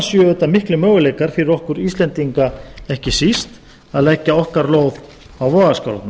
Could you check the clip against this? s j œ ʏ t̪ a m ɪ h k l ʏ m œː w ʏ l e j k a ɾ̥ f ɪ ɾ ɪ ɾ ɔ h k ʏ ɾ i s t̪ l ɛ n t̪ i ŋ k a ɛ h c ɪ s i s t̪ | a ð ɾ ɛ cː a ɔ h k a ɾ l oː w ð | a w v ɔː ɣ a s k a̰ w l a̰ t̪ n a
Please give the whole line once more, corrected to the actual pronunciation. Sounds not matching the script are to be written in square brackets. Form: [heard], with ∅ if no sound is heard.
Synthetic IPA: s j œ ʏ t̪ a m ɪ h k l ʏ m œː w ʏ l e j k a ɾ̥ f ɪ ɾ ɪ ɾ ɔ h k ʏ ɾ i s t̪ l ɛ n t̪ i ŋ k a ɛ h c ɪ s i s t̪ | a ð [l] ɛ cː a ɔ h k a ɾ l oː w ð | a w v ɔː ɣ a s k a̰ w l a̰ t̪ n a

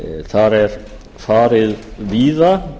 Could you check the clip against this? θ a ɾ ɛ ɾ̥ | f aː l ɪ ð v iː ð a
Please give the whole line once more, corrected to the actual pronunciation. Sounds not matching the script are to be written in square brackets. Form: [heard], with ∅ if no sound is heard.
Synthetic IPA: θ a ɾ ɛ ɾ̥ | f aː [ɾ] ɪ ð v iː ð a

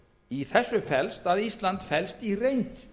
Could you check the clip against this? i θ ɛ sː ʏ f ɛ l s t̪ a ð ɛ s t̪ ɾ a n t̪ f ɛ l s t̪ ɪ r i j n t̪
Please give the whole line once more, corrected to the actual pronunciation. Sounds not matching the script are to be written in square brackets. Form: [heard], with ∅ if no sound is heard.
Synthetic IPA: i θ ɛ sː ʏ f ɛ l s t̪ a ð [i] s t̪ [l] a n t̪ f ɛ l s t̪ [i] r [e] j n t̪

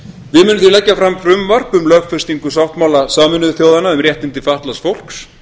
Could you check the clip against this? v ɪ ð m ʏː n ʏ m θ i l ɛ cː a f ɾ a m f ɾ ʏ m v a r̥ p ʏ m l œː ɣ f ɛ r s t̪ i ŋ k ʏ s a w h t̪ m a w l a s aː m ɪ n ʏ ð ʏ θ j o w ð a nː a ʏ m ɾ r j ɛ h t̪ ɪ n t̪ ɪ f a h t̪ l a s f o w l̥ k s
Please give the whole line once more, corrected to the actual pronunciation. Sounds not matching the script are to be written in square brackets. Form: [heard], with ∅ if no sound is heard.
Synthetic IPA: v ɪ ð m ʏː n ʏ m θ i l ɛ cː a f ɾ a m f ɾ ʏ m v a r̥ p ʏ m l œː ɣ f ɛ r s t̪ i ŋ k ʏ s a w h t̪ m a w l a s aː m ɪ n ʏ ð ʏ θ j o w ð a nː a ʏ m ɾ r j ɛ h t̪ ɪ n t̪ ɪ f a h t̪ l a s f o w l̥ k s

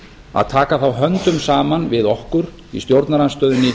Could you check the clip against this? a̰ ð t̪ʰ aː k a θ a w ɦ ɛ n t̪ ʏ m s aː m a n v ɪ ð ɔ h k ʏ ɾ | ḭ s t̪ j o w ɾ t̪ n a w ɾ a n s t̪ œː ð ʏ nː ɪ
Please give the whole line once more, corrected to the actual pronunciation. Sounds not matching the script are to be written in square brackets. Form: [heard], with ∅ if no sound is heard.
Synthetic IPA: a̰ ð t̪ʰ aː k a θ a w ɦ [œ] n t̪ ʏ m s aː m a n v ɪ ð ɔ h k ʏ ɾ | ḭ s t̪ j o w ɾ t̪ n a [∅] ɾ a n s t̪ œː ð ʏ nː ɪ

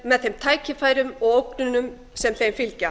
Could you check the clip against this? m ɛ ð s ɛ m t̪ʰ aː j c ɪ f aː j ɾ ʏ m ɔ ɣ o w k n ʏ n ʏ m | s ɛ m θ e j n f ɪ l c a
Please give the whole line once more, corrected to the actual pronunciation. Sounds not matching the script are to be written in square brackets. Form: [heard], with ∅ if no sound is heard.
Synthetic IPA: m ɛ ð [θ] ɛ m t̪ʰ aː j c ɪ f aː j ɾ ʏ m ɔ ɣ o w k n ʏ n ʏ m | s ɛ m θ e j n f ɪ l c a

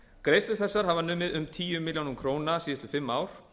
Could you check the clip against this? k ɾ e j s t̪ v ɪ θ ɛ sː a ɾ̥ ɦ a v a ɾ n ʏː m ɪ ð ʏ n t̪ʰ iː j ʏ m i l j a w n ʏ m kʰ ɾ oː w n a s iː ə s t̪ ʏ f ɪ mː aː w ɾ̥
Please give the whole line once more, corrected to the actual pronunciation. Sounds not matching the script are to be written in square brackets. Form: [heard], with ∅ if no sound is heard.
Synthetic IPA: k ɾ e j s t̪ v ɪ θ ɛ sː a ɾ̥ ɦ a v a [∅] n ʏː m ɪ ð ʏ [m] t̪ʰ iː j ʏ m [ɪ] l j a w n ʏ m kʰ ɾ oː w n a s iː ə s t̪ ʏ f ɪ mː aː w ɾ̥

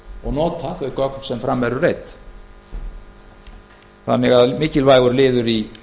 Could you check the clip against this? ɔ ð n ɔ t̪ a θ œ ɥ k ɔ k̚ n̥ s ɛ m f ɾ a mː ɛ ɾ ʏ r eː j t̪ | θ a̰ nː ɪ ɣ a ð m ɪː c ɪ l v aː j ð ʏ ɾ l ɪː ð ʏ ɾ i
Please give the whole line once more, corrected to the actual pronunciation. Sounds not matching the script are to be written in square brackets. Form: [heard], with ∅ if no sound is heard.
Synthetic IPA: ɔ [ɣ] n [ɔː] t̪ a θ œ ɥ k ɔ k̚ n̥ s ɛ m f ɾ a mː ɛ ɾ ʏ r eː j t̪ | θ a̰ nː ɪ ɣ a ð m ɪː c ɪ l v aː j [ɣ] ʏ ɾ l ɪː ð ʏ ɾ i

